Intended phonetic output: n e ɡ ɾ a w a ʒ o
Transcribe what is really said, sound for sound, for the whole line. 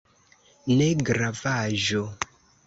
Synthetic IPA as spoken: n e ɡ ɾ a v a ʒ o

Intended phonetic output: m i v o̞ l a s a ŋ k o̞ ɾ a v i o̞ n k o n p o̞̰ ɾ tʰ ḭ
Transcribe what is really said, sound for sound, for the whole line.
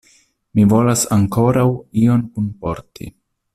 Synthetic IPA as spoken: m i v o̞ l a s a ŋ k o̞ ɾ a w i o̞ n k u n p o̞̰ ɾ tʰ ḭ

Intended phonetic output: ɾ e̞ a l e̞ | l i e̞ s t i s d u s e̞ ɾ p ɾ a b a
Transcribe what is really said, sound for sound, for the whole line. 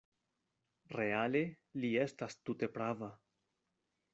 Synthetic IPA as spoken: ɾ e̞ a l e̞ | l i e̞ s t a s t u t e̞ p ɾ a v a

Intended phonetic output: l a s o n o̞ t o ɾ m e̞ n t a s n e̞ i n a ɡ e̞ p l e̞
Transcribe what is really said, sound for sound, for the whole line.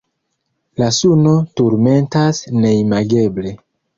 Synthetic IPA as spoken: l a s u n o̞ t u ɾ m e̞ n t a s n e̞ i m a ɡ e̞ b l e̞

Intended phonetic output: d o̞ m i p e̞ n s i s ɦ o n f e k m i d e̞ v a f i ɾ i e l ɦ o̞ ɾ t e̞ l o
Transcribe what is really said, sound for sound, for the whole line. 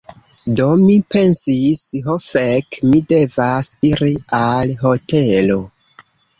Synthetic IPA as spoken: d o̞ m i p e̞ n s i s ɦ o f e k m i d e̞ v a s i ɾ i a l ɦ o̞ t e̞ l o

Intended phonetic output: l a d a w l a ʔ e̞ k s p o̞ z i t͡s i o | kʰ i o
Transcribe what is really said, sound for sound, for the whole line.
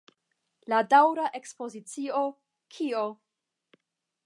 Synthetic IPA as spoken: l a d a w ɾ a ʔ e̞ k s p o̞ z i t͡s i o | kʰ i o

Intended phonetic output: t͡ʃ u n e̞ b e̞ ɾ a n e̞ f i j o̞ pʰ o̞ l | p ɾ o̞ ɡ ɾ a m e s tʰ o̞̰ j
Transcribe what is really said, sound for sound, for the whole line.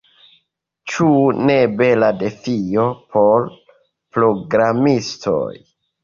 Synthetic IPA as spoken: t͡ʃ u n e̞ b e̞ l a d e̞ f i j o̞ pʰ o̞ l | p ɾ o̞ ɡ ɾ a m i s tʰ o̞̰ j

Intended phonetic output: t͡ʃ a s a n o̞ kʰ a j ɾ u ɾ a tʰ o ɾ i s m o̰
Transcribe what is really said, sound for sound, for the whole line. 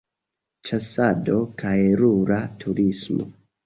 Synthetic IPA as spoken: t͡ʃ a s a d o̞ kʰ a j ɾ u ɾ a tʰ u ɾ i s m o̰

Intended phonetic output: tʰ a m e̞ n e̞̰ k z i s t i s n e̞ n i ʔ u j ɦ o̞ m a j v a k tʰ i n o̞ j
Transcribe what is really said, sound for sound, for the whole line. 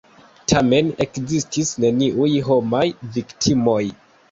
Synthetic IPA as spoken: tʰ a m e̞ n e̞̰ k z i s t i s n e̞ n i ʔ u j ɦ o̞ m a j v i k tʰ i m o̞ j

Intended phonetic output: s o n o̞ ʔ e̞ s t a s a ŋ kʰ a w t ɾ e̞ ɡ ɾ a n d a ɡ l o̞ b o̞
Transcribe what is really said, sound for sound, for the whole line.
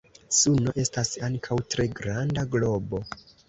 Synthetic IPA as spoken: s u n o̞ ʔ e̞ s t a s a ŋ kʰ a w t ɾ e̞ ɡ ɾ a n d a ɡ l o̞ b o̞

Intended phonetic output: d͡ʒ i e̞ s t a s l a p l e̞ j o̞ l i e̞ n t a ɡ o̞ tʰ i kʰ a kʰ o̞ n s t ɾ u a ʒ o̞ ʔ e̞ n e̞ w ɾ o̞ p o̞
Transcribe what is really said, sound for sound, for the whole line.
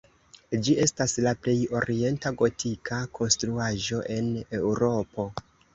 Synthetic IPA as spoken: d͡ʒ i e̞ s t a s l a p l e̞ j o̞ ɾ i e̞ n t a ɡ o̞ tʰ i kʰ a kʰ o̞ n s t ɾ u a ʒ o̞ ʔ e̞ n e̞ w ɾ o̞ p o̞

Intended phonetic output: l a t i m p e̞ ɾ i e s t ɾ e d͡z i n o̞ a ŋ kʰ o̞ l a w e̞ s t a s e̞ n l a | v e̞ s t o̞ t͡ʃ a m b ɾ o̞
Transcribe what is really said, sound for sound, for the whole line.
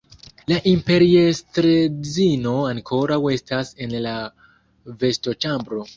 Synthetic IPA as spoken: l a ʔ i m p e̞ ɾ i e s t ɾ e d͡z i n o̞ a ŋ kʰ o̞ ɾ a w e̞ s t a s e̞ n l a | v e̞ s t o̞ t͡ʃ a m b ɾ o̞

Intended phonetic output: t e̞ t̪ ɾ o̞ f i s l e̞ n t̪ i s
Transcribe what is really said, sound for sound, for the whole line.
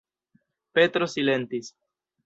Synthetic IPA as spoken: p e̞ t̪ ɾ o̞ s i l e̞ n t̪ i s

